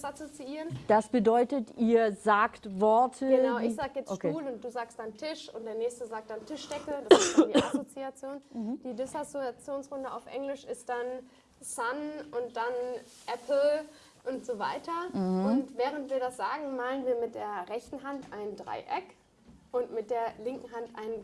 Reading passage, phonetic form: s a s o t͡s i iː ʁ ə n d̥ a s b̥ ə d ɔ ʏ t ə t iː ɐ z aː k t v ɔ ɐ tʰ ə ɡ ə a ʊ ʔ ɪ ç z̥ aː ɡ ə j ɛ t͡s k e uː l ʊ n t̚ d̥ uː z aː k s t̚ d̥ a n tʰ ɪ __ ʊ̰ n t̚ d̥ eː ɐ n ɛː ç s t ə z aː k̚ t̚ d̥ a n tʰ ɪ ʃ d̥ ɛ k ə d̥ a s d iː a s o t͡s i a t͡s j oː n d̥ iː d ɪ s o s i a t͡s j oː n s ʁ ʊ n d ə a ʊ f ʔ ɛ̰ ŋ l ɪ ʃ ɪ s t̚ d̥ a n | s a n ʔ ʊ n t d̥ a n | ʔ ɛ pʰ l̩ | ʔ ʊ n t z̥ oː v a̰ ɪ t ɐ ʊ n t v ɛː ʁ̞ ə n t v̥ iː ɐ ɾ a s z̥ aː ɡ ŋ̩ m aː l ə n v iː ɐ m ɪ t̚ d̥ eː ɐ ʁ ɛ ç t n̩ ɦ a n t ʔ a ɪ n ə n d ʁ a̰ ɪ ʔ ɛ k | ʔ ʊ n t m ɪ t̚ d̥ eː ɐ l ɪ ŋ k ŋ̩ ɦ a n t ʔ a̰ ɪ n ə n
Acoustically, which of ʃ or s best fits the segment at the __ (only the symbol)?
ʃ